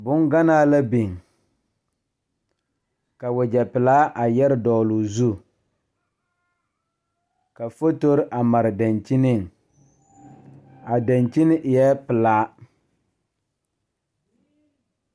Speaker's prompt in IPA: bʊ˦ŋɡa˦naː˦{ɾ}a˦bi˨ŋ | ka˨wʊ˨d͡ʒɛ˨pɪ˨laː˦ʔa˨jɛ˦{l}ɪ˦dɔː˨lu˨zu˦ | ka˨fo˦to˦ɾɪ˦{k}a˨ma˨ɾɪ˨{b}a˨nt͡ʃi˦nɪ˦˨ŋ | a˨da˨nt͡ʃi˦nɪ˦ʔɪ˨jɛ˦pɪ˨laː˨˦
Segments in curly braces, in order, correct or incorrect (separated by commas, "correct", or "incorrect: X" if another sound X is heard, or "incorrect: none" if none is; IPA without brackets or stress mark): incorrect: l, incorrect: ɾ, incorrect: ʔ, incorrect: d